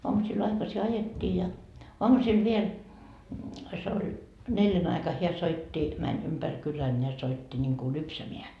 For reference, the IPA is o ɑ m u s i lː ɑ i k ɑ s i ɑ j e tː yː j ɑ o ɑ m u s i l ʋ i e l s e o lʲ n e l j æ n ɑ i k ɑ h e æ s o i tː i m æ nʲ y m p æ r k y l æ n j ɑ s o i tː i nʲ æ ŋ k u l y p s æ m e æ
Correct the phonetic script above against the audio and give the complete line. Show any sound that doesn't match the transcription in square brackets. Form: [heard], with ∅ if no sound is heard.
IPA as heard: o ɑ m u s i [l] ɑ i k ɑ s i ɑ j e tː [iː] j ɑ o ɑ m u s i l ʋ i e l s e o lʲ n e l j æ n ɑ i k ɑ h e æ s o i tː i m æ nʲ y m p æ r k y l æ n j ɑ s o i tː i nʲ [i] ŋ k u l y p s æ m e æ